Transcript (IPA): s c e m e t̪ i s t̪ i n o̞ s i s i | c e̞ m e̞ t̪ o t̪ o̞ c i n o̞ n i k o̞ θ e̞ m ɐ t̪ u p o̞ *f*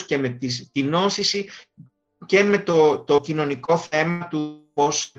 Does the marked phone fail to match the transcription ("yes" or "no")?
yes